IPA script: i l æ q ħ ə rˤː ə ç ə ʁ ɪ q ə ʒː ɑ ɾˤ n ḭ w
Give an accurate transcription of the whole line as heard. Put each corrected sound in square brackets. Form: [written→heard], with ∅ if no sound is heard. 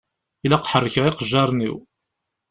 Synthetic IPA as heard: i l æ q ħ ə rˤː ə ç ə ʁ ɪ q ə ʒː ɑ ɾˤ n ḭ w